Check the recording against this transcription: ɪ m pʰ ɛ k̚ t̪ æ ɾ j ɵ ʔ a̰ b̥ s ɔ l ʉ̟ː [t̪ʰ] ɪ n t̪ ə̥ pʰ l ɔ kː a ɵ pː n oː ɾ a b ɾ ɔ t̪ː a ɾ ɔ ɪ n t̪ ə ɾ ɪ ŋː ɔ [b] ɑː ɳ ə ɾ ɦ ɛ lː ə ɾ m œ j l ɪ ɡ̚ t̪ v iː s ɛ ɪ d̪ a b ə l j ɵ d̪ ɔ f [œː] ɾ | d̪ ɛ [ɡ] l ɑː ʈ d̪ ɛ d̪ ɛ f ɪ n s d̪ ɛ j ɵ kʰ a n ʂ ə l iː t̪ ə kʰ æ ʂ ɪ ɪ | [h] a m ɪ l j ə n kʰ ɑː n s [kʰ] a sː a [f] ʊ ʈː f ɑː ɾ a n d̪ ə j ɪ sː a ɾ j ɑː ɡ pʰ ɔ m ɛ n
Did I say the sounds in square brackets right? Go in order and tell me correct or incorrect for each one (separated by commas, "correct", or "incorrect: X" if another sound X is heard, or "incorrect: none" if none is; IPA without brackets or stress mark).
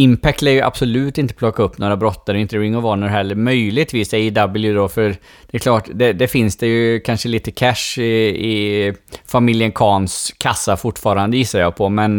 incorrect: t̪, incorrect: v, incorrect: œ, incorrect: k, incorrect: f, correct, correct